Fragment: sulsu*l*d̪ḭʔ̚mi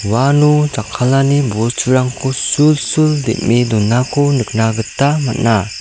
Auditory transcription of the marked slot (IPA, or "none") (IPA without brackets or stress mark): l